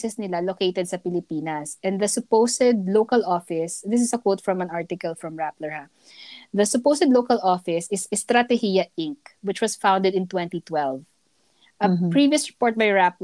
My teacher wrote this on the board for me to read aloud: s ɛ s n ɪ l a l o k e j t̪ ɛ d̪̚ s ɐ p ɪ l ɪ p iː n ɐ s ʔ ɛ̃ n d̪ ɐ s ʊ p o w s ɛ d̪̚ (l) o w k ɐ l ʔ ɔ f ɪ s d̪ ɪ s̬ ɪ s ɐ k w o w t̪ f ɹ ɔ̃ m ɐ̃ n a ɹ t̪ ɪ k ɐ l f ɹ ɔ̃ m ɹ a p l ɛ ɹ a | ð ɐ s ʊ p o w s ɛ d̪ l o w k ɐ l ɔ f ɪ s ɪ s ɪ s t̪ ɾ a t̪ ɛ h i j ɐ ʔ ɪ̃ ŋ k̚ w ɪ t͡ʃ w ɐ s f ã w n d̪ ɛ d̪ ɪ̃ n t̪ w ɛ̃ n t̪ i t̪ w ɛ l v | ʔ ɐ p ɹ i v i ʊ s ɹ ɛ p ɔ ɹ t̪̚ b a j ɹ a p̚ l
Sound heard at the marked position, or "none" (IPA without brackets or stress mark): l